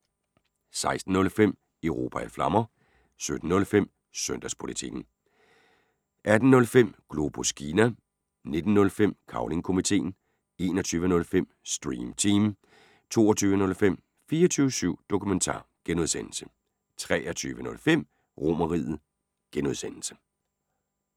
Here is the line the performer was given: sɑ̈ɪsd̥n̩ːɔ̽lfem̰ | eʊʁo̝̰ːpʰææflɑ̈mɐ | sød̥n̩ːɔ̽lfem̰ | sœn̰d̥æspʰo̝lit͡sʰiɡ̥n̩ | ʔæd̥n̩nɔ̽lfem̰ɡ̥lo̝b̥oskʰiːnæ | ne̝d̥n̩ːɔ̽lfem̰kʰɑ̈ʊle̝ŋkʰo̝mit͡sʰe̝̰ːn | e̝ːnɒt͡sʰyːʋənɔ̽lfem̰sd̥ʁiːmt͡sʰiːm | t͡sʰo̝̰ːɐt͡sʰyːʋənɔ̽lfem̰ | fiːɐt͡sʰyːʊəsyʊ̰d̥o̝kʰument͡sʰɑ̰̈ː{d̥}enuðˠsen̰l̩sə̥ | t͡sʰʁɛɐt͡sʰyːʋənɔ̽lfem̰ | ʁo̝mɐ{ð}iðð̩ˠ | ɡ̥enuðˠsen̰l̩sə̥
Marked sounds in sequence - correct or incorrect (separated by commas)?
incorrect, incorrect